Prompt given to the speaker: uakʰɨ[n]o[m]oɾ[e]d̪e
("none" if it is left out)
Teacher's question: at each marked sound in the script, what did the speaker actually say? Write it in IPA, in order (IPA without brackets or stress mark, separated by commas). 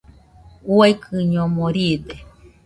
ɲ, m, i